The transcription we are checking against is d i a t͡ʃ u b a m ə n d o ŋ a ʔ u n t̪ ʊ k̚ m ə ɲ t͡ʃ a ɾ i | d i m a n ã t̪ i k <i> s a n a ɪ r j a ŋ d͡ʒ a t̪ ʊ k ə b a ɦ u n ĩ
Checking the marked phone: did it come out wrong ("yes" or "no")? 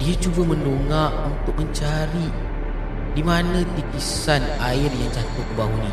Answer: no